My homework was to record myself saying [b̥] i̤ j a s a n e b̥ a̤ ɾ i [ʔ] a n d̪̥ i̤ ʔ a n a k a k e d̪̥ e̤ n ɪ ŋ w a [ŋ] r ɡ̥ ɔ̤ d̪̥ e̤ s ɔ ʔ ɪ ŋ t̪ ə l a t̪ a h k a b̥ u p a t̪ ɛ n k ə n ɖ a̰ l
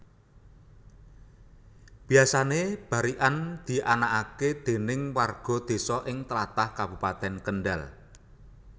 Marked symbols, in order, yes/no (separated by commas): yes, yes, no